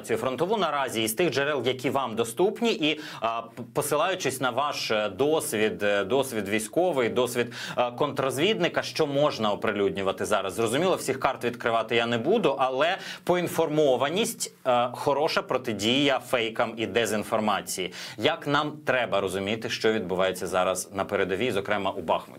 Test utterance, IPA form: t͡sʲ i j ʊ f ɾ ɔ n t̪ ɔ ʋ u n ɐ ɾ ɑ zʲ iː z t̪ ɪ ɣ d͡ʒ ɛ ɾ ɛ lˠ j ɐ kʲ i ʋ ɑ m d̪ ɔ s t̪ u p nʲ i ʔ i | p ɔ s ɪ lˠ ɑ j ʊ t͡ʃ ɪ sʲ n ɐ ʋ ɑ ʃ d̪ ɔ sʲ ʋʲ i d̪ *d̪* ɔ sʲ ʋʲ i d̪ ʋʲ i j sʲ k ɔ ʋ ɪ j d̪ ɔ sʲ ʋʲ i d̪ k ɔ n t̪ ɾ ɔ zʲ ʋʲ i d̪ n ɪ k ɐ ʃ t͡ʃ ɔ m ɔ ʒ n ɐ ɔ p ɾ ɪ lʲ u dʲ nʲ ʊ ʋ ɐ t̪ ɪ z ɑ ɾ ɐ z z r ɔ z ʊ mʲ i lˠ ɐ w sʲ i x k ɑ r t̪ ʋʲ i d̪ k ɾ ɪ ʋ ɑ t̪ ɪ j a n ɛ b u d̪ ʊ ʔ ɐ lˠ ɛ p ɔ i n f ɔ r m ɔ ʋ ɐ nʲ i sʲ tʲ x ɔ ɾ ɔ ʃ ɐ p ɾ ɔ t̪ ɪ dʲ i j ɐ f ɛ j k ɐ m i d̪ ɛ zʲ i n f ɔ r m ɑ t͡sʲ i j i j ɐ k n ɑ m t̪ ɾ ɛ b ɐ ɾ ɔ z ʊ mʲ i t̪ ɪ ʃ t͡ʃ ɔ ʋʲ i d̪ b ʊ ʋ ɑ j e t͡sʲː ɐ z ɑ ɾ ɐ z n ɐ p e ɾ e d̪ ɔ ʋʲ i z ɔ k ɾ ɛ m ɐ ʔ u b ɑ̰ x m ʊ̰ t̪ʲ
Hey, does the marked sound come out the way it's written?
yes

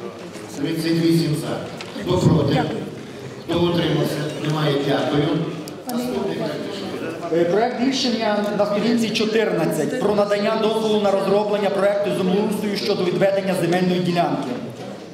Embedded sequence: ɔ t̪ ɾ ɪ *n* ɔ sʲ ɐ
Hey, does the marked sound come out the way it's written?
no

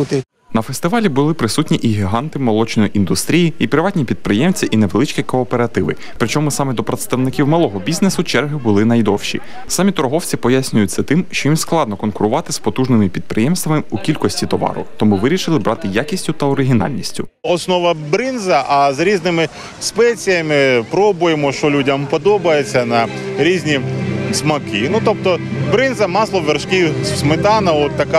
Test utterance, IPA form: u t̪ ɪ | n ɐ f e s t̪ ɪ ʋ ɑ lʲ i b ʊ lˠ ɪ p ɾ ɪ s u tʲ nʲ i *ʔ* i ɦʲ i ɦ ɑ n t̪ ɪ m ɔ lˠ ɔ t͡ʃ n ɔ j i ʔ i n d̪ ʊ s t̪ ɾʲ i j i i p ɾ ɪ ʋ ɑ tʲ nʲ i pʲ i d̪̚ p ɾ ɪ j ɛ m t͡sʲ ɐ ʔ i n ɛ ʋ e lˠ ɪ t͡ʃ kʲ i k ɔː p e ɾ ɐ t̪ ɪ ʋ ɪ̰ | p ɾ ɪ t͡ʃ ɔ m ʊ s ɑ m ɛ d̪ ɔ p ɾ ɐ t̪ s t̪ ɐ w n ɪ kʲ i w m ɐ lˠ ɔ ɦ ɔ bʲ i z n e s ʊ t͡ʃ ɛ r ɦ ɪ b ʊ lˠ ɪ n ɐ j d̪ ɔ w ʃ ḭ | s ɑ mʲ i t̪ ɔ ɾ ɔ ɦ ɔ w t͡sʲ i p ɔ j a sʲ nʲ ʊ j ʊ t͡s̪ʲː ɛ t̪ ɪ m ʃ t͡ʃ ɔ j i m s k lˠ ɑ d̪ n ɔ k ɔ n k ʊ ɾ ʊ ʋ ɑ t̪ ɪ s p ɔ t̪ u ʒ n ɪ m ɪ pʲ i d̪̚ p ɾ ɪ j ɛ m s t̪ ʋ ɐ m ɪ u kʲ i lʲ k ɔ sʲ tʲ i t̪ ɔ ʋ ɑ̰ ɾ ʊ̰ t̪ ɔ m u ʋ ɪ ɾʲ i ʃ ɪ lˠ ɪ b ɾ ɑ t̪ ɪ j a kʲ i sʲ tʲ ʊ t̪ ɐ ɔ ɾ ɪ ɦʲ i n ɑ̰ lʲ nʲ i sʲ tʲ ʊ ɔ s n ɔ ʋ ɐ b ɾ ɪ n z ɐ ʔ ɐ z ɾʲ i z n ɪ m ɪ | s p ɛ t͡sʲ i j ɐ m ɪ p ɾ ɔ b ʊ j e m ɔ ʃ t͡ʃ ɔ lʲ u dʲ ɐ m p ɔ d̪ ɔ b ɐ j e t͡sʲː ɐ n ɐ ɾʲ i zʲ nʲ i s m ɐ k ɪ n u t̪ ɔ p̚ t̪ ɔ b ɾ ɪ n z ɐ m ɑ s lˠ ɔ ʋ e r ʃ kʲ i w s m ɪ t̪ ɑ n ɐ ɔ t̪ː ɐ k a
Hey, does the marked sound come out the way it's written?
yes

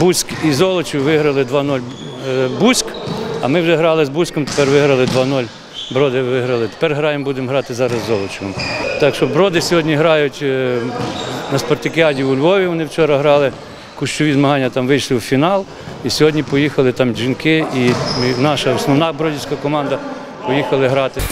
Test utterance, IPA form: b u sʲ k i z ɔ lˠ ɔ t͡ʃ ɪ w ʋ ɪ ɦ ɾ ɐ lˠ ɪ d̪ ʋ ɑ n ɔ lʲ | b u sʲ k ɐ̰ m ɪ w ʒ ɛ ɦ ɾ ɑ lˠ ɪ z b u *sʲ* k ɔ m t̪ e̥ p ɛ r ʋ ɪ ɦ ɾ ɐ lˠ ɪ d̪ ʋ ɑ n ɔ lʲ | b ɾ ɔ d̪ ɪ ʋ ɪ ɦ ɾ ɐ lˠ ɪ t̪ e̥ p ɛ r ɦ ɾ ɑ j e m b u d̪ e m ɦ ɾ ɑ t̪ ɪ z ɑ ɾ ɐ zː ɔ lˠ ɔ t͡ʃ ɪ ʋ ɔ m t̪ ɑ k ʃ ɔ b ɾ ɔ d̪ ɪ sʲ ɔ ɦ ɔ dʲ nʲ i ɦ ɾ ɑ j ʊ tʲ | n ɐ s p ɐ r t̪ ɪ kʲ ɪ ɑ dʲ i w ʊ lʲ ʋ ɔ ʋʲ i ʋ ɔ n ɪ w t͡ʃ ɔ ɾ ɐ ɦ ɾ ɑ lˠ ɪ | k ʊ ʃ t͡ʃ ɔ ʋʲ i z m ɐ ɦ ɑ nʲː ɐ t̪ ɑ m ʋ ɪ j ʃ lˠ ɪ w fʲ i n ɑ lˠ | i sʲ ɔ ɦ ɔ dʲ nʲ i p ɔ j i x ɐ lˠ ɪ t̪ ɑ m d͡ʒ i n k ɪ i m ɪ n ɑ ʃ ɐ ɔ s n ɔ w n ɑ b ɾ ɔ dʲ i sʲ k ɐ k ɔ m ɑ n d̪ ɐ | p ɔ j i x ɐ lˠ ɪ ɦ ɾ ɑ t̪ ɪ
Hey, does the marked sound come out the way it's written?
yes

